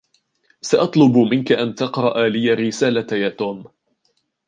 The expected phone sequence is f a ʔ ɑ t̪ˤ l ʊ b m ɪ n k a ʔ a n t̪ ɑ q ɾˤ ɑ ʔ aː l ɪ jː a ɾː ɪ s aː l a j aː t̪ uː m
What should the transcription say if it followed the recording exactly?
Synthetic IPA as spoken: s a ʔ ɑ t̪ˤ l ʊ b m ɪ n k a ʔ a n t̪ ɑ q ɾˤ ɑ ʔ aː l ɪ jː a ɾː ɪ s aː l a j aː t̪ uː m